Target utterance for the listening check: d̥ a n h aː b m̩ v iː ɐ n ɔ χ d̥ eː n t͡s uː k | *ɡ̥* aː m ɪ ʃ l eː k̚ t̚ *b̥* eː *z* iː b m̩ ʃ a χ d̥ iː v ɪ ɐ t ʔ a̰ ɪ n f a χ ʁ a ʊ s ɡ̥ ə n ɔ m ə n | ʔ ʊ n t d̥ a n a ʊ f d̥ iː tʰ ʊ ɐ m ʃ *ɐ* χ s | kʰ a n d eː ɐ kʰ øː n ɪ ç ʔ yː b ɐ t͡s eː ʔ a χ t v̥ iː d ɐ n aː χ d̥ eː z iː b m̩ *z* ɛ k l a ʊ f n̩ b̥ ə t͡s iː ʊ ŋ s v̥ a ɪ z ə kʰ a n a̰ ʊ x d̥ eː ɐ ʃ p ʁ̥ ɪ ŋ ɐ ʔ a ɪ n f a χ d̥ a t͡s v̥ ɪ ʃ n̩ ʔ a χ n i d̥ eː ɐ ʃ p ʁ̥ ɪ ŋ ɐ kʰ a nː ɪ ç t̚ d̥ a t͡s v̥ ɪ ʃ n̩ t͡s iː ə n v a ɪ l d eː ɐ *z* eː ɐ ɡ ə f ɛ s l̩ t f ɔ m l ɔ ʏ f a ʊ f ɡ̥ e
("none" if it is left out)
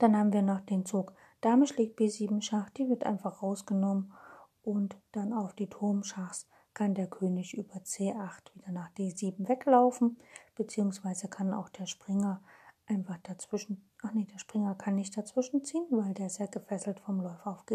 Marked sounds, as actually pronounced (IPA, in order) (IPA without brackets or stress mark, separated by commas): d̥, b̥, z, a, v, z